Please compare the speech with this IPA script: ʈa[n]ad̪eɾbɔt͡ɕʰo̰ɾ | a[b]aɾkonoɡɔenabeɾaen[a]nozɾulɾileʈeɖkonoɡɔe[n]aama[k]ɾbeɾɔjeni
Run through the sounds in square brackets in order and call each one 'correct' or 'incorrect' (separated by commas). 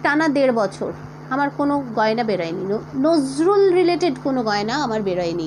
correct, incorrect, incorrect, correct, incorrect